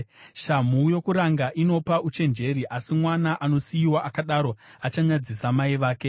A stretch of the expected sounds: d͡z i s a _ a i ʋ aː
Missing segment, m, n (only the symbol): m